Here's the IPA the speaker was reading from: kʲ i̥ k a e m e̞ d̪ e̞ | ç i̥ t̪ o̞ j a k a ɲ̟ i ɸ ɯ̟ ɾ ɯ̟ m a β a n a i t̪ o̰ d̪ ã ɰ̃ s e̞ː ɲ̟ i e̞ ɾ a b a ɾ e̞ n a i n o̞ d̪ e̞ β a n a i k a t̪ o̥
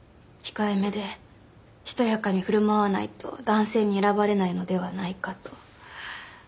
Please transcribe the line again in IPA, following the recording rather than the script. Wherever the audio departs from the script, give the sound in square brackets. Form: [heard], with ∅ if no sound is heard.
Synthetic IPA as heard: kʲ i̥ k a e m e̞ d̪ e̞ | ç i̥ t̪ o̞ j a k a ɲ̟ i ɸ ɯ̟ ɾ ɯ̟ m a β a n a i t̪ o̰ d̪ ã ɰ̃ s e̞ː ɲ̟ i e̞ ɾ a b a ɾ e̞ n a i n o̞ d̪ e̞ β a n a i k a t̪ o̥

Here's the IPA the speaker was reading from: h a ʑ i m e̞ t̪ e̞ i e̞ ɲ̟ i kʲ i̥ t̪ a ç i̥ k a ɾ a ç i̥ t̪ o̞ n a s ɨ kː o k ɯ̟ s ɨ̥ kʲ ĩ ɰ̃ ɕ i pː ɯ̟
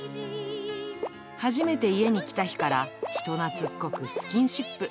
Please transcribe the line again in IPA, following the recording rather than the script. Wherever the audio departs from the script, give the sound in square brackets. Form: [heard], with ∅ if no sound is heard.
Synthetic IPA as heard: h a ʑ i m e̞ t̪ e̞ i e̞ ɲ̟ i kʲ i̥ t̪ a ç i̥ k a ɾ a ç i̥ t̪ o̞ n a [t͡s] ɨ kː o k ɯ̟ s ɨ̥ kʲ ĩ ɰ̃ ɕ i pː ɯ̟

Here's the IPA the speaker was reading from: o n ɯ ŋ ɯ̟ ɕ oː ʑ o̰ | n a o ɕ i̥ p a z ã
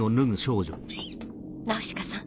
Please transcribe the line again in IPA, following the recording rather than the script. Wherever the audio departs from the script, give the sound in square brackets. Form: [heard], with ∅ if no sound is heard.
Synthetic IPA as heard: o n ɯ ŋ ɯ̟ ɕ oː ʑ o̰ | n a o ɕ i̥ [k] a [s] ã

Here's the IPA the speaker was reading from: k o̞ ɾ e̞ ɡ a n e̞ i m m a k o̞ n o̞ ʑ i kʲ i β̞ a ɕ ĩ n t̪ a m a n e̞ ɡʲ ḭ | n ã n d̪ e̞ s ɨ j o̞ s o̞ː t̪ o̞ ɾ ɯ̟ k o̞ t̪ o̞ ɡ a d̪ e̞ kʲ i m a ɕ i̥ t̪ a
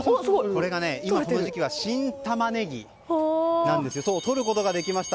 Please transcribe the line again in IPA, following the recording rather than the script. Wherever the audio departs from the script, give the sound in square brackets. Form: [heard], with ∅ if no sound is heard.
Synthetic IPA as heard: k o̞ ɾ e̞ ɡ a n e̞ i m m a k o̞ n o̞ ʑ i kʲ i β̞ a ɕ ĩ n t̪ a m a n e̞ ɡʲ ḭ | n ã n d̪ e̞ s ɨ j o̞ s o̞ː t̪ o̞ ɾ ɯ̟ k o̞ t̪ o̞ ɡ a d̪ e̞ kʲ i m a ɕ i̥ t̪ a

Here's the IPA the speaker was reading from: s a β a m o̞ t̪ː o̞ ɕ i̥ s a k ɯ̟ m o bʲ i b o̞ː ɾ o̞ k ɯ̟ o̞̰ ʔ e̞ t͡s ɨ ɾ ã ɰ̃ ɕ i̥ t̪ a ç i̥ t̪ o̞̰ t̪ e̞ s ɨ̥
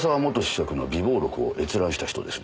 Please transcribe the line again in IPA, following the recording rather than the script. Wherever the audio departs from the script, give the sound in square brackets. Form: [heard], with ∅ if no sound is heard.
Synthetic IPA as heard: s a β a m o̞ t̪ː o̞ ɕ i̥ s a k ɯ̟ [n] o bʲ i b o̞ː ɾ o̞ k ɯ̟ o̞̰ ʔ e̞ t͡s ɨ ɾ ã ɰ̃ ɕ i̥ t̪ a ç i̥ t̪ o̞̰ [d̪] e̞ s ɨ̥

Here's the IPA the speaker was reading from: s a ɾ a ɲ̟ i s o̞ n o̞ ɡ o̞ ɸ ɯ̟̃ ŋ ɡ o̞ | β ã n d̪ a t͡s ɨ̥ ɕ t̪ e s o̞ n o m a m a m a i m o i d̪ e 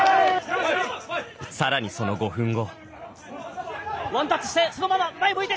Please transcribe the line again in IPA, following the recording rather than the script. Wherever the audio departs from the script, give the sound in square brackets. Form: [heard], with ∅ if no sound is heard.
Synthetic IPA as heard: s a ɾ a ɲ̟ i s o̞ n o̞ ɡ o̞ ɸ ɯ̟̃ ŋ ɡ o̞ | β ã n [t̪] a t͡s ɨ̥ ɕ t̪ e s o̞ n o m a m a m a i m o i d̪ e

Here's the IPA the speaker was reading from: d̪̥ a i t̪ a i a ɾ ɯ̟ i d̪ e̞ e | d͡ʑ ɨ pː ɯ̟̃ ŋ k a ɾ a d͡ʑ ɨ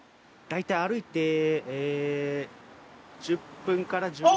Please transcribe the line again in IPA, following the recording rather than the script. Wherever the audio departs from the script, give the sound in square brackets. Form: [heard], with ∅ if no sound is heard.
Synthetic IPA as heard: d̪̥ a i t̪ a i a ɾ ɯ̟ i [t̪] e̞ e | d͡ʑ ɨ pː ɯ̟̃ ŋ k a ɾ a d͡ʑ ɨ

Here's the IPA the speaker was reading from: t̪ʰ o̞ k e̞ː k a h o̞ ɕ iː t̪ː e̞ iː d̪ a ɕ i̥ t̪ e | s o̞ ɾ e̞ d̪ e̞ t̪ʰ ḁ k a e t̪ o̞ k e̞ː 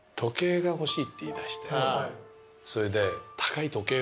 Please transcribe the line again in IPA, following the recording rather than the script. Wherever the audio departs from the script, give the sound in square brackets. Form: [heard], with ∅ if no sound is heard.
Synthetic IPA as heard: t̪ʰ o̞ k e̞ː [ɡ] a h o̞ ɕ iː t̪ː e̞ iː d̪ a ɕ i̥ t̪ e | s o̞ ɾ e̞ d̪ e̞ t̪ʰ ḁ k a [i] t̪ o̞ k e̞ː

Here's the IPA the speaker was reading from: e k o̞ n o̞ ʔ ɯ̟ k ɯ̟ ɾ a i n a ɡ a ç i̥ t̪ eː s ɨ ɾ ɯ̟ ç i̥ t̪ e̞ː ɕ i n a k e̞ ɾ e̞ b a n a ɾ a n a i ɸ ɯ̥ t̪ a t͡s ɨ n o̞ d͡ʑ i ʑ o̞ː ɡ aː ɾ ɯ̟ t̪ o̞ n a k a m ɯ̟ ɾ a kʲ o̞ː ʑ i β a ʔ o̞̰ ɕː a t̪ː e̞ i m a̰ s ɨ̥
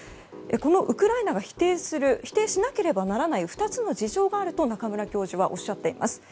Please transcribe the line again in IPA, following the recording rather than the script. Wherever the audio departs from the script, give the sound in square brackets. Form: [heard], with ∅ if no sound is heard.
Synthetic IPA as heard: e k o̞ n o̞ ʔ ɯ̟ k ɯ̟ ɾ a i n a ɡ a ç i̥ t̪ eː s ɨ ɾ ɯ̟ ç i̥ t̪ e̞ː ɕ i n a k e̞ ɾ e̞ b a n a ɾ a n a i ɸ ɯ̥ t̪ a t͡s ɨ n o̞ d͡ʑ i ʑ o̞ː ɡ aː ɾ ɯ̟ t̪ o̞ n a k a m ɯ̟ ɾ a kʲ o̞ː ʑ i β a ʔ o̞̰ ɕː a t̪ː e̞ i m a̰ s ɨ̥

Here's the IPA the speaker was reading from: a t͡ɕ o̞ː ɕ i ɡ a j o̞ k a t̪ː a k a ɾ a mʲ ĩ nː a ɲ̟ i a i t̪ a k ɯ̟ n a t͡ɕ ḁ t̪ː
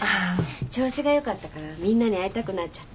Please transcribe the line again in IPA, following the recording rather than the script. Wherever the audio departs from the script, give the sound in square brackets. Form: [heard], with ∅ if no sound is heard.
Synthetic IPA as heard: a t͡ɕ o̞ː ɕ i ɡ a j o̞ k a t̪ː a k a ɾ a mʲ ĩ nː a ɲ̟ i a i t̪ a k ɯ̟ n a t͡ɕ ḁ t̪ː

